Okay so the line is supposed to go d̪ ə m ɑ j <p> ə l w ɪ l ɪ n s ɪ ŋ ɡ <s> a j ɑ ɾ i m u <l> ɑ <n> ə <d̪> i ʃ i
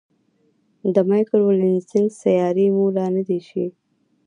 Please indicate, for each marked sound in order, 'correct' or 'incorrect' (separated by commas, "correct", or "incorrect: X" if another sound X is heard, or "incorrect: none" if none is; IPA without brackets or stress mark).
incorrect: k, correct, correct, correct, correct